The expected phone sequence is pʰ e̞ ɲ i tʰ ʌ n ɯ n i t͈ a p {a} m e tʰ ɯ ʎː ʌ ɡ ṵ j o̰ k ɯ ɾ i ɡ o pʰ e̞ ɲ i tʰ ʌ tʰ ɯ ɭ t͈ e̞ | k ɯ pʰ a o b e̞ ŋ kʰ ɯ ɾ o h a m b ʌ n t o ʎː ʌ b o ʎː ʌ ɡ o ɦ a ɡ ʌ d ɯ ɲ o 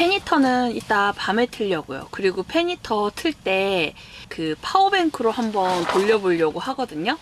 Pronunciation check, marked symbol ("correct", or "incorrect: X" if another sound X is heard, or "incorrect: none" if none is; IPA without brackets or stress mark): correct